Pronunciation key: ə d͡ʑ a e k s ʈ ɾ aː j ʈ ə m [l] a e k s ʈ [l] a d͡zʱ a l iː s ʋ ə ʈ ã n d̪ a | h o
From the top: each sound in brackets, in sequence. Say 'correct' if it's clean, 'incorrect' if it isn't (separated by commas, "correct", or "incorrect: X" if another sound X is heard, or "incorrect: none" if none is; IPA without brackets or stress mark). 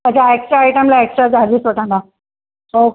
correct, incorrect: ɾ